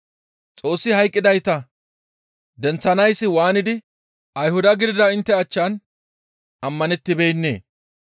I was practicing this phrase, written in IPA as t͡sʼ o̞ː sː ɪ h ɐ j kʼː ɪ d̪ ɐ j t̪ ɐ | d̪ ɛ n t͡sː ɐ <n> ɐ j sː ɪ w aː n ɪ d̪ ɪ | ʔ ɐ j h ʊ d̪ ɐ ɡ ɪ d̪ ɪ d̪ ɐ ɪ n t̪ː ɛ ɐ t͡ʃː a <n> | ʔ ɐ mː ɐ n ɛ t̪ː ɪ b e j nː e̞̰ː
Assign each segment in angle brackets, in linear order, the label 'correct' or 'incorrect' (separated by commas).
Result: correct, correct